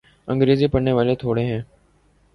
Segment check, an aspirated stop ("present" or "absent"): present